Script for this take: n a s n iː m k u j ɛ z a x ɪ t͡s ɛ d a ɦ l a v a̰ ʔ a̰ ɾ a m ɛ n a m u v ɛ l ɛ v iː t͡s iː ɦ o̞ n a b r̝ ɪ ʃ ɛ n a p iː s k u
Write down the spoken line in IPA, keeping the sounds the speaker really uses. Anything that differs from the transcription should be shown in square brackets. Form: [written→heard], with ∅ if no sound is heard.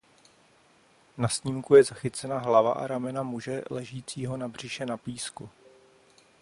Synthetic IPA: n a s [n→ɲ] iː m k u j ɛ z a x ɪ t͡s ɛ [d→n] a ɦ l a v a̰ ʔ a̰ ɾ a m ɛ n a m u [v→ʒ] ɛ l ɛ [v→ʒ] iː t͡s iː ɦ o̞ n a b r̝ ɪ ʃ ɛ n a p iː s k u